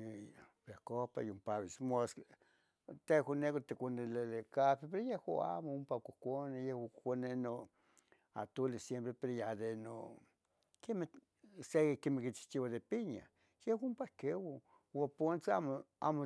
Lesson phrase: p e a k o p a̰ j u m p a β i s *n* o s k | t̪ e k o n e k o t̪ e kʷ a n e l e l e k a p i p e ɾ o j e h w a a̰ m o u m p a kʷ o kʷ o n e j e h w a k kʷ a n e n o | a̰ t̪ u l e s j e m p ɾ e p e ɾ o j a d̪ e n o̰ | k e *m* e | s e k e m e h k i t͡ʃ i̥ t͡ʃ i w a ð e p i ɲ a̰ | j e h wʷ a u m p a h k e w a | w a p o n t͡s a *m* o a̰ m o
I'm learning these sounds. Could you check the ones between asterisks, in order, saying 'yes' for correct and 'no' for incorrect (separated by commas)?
no, yes, yes